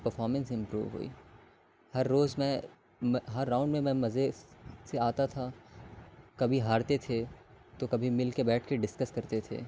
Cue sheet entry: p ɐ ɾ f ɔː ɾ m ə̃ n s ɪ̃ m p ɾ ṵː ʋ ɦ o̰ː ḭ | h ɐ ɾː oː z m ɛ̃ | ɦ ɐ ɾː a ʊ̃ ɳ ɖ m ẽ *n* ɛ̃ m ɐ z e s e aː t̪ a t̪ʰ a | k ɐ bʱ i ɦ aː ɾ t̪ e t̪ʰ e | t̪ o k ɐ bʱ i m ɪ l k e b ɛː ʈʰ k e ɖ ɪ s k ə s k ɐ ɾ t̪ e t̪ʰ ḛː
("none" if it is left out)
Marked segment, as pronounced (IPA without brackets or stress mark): m